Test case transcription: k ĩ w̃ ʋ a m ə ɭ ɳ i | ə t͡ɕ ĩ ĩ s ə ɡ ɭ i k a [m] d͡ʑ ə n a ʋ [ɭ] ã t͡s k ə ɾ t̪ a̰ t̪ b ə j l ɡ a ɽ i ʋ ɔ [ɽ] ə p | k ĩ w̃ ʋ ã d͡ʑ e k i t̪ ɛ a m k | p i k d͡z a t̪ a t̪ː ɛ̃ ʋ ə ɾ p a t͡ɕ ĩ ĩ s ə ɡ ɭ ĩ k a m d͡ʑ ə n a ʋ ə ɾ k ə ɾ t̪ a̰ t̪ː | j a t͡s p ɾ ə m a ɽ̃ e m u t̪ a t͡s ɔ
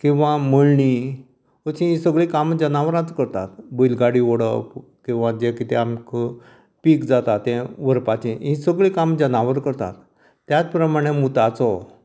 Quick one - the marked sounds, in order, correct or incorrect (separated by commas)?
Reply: correct, incorrect, correct